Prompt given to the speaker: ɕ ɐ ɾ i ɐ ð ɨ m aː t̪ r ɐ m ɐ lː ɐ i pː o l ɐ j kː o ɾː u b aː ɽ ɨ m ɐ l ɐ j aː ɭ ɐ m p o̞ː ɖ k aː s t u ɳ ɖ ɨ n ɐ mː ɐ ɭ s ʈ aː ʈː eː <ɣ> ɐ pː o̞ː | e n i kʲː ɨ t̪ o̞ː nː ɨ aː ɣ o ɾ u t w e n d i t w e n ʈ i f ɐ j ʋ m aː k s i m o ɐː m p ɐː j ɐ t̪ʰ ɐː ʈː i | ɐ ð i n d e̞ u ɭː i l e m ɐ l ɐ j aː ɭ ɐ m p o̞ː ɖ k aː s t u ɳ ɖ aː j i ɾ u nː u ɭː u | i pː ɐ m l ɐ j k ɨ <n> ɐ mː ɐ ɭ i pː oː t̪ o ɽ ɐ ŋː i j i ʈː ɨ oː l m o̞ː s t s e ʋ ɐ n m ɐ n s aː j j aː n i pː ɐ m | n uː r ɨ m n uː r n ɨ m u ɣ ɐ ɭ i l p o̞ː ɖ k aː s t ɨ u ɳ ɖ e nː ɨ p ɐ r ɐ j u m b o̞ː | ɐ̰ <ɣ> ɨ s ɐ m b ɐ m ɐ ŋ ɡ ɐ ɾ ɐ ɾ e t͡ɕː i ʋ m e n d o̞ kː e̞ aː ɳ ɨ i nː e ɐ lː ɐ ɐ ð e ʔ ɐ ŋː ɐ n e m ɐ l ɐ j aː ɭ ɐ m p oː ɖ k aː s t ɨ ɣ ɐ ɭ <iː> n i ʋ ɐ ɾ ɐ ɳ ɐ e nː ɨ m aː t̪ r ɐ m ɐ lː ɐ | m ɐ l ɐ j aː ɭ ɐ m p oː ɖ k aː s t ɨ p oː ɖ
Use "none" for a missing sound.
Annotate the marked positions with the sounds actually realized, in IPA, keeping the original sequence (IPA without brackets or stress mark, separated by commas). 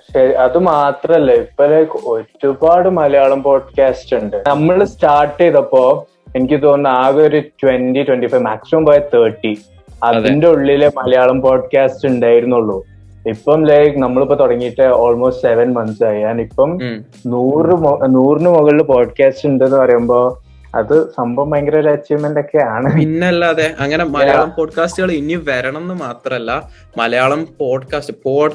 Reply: ð, n, ð, i